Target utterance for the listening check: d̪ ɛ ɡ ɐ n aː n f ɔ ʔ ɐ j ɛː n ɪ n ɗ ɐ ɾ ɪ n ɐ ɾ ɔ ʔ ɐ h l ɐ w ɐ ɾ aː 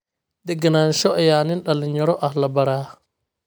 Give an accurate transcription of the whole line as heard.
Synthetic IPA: d̪ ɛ ɡ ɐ n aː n ʃ ɔ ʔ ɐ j aː n ɪ n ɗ ɐ l ɪ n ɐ ɾ ɔ ʔ ɐ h l ɐ b ɐ ɾ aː